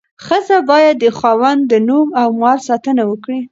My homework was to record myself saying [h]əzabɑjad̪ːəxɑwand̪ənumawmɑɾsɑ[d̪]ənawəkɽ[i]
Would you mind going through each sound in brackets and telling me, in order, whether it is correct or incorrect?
incorrect: x, incorrect: t̪, correct

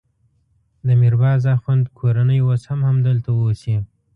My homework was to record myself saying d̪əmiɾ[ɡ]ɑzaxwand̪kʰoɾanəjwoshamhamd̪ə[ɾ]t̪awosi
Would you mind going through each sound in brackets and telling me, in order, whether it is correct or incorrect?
incorrect: b, incorrect: l

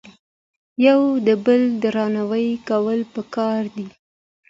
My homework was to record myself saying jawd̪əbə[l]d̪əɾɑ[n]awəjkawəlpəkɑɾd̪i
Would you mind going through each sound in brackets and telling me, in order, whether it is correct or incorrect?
correct, correct

